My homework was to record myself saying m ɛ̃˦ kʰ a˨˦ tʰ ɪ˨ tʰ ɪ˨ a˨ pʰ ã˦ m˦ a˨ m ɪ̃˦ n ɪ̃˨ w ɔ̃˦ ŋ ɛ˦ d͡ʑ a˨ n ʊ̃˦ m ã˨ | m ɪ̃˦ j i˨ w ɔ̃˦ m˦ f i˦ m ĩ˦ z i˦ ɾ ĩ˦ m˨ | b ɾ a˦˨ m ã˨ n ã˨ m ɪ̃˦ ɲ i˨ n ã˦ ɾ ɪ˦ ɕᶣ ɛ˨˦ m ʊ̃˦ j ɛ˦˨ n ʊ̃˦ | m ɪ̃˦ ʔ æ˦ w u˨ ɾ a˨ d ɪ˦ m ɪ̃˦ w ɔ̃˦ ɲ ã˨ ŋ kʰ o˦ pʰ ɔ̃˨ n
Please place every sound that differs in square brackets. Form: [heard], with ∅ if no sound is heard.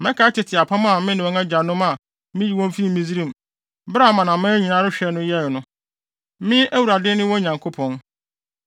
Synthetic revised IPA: m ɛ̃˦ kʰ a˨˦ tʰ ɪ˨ tʰ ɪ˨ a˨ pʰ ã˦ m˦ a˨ m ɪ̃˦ n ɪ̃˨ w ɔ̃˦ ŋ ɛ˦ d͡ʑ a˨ n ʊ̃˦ m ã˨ | m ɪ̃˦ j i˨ w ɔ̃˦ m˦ f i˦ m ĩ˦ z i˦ ɾ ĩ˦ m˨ | b ɾ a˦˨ m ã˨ n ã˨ m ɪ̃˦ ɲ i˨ n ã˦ ɾ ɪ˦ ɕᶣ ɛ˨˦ [n] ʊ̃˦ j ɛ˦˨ n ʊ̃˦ | m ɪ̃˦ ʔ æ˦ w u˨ ɾ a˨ d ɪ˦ [n] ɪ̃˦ w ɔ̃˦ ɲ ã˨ ŋ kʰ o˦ pʰ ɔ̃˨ n